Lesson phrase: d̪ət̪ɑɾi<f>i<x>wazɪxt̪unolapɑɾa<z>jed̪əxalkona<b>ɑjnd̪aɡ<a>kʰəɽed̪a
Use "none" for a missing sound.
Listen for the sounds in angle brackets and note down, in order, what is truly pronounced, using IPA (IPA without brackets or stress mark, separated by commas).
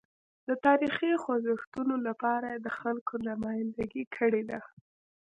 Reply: x, x, none, m, i